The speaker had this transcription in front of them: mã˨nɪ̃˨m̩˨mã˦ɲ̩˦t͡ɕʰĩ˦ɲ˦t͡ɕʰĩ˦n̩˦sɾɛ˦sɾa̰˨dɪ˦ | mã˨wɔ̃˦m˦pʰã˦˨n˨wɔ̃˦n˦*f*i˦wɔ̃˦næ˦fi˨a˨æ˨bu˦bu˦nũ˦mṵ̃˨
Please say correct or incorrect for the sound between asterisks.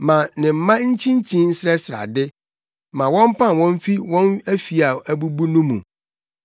correct